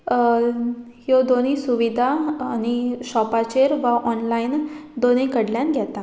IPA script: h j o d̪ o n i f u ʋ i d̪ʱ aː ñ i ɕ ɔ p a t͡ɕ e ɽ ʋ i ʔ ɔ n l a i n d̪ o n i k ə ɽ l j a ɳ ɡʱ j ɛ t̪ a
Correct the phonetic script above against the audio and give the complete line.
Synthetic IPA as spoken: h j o d̪ o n i s u ʋ i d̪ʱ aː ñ i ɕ ɔ p a t͡ɕ e ɾ ʋ a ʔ ɔ n l a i n d̪ o n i k ə ɽ l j a n ɡʱ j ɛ t̪ a